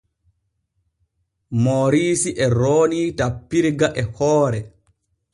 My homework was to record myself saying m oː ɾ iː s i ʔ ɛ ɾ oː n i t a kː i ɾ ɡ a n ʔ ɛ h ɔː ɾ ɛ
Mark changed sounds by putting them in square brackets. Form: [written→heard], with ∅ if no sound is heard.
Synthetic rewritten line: m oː ɾ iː s i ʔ ɛ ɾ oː n i t a [kː→pː] i ɾ ɡ a [n→∅] ʔ ɛ h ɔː ɾ ɛ